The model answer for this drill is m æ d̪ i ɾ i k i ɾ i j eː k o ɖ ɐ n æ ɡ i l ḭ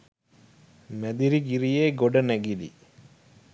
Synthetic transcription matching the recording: m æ d̪ i ɾ i ɡ i ɾ i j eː ɡ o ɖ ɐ n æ ɡ i l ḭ

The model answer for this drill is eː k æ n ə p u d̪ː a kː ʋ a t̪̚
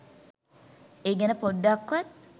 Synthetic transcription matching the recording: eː ɡ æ n ə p o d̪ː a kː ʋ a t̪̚

